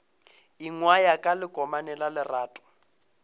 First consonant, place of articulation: velar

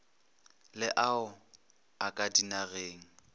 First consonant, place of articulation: alveolar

